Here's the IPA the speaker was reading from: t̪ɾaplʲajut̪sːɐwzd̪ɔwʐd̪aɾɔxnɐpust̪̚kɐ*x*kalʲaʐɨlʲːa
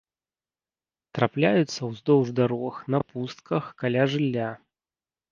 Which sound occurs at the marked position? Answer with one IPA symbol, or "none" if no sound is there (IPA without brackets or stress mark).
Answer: x